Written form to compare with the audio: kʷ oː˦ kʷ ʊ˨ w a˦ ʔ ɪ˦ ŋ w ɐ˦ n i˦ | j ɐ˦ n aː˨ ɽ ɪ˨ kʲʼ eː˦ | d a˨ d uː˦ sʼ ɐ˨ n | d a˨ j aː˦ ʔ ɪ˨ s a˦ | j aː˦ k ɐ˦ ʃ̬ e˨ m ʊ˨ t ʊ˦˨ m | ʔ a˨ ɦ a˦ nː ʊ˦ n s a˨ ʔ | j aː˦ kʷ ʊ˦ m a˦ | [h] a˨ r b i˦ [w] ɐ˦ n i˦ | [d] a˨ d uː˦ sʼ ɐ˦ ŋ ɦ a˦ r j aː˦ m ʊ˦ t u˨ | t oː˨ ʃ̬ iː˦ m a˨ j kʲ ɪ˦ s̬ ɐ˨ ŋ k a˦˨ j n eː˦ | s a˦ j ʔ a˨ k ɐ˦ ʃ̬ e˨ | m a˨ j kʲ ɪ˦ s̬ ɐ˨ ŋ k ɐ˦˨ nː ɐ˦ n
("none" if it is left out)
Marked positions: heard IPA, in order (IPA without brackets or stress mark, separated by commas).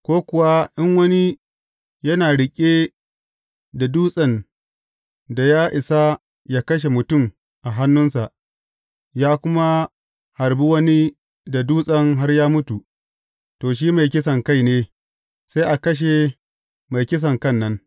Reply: h, w, d